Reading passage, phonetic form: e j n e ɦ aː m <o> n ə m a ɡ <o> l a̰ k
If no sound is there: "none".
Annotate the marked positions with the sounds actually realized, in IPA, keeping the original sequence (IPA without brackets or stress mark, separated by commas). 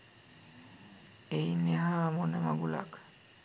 o, u